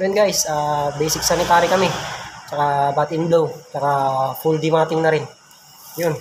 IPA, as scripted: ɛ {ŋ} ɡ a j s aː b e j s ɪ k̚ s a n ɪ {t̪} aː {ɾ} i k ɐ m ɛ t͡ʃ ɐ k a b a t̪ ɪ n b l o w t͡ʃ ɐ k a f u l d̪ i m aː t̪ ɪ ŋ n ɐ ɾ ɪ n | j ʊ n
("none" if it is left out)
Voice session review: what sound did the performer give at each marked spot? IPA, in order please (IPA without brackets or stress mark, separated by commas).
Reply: n, t̪, ɾ